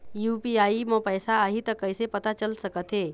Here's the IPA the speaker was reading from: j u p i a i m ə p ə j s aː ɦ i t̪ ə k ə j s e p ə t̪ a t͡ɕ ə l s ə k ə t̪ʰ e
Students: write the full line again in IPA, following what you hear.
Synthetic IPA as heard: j u p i a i m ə p ə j s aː ɦ i t̪ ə k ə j s e p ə t̪ a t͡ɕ ə l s ə k ə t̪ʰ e